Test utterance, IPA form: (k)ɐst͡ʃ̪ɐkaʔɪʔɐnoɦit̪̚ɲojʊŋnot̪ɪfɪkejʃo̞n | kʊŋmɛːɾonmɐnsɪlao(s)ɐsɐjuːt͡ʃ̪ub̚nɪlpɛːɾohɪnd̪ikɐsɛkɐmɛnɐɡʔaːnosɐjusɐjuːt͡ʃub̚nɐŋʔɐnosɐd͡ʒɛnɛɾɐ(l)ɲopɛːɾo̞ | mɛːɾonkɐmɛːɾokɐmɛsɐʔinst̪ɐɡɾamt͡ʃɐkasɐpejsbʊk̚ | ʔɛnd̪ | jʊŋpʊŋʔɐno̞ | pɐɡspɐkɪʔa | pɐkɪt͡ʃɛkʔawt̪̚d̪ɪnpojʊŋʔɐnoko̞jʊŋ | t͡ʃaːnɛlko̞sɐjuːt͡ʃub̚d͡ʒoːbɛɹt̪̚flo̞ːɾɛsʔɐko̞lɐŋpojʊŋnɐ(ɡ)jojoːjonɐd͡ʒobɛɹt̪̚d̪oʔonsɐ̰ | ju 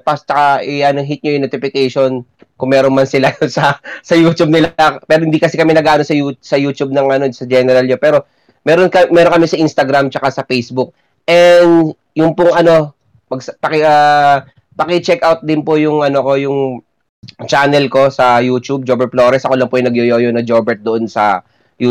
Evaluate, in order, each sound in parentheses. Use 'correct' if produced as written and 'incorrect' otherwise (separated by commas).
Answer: incorrect, correct, correct, correct